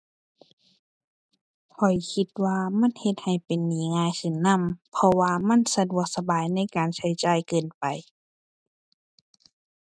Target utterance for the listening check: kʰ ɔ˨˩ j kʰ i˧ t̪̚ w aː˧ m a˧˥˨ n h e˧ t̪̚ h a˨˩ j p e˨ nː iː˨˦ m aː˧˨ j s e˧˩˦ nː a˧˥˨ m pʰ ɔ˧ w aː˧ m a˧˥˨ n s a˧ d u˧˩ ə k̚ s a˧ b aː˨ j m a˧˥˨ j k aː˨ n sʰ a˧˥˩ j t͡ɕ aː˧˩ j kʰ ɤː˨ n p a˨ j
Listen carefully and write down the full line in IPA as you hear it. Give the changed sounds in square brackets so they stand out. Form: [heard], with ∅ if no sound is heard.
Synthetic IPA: kʰ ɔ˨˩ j kʰ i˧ t̪̚ w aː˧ m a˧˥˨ n h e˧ t̪̚ h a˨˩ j p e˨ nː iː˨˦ [ŋ] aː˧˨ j s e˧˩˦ nː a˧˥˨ m pʰ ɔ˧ w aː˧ m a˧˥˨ n s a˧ d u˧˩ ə k̚ s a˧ b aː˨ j [n] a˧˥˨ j k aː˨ n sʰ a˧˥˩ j t͡ɕ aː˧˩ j [k] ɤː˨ n p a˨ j